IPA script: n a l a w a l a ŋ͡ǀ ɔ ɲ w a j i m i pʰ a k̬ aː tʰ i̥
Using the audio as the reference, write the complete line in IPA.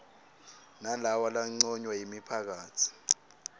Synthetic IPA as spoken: n a l a w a l a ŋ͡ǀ ɔ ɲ w a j i m i pʰ a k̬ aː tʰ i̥